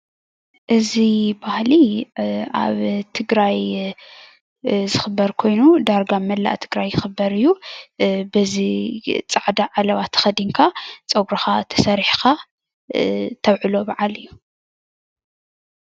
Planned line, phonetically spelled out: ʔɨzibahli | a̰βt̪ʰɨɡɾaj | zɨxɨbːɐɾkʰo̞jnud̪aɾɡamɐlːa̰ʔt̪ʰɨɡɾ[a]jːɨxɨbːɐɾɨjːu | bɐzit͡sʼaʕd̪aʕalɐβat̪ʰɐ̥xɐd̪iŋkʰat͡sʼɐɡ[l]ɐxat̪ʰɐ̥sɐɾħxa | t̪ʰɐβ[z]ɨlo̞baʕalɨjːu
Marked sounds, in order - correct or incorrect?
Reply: correct, incorrect, incorrect

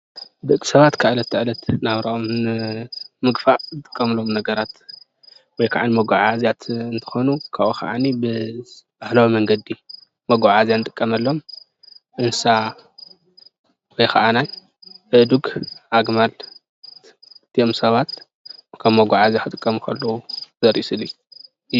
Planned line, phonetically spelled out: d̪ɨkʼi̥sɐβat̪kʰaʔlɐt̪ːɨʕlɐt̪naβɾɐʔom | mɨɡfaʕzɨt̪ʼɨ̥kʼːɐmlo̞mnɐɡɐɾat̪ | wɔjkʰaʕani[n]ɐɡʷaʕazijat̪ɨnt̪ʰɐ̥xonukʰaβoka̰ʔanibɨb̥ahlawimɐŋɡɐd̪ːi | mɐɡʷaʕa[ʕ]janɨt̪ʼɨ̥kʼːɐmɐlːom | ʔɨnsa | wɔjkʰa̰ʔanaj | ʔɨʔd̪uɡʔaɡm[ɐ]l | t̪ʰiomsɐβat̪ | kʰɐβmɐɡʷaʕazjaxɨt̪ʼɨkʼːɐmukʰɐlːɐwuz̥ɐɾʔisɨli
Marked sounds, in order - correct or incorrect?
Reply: incorrect, incorrect, incorrect

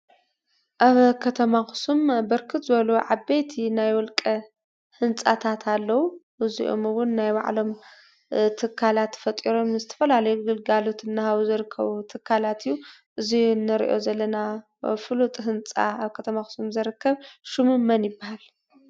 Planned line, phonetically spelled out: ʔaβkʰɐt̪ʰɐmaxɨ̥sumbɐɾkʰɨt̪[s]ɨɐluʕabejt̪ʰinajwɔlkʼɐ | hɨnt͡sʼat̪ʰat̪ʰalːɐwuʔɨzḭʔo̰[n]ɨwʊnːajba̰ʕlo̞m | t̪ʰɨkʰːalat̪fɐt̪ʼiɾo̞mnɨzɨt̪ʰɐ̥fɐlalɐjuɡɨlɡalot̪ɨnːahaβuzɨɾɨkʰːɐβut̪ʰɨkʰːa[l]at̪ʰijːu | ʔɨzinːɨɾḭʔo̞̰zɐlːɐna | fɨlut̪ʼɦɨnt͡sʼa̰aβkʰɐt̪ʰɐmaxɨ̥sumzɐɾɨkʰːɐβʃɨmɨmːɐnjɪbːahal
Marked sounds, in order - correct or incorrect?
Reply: incorrect, incorrect, correct

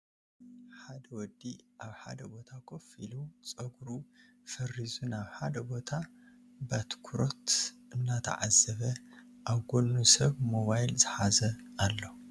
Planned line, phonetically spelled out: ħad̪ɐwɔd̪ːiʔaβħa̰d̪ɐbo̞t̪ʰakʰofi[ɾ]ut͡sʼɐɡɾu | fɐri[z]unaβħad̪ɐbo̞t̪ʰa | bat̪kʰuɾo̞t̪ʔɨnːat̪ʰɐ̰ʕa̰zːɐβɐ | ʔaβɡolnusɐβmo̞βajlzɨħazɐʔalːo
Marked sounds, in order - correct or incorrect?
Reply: incorrect, correct

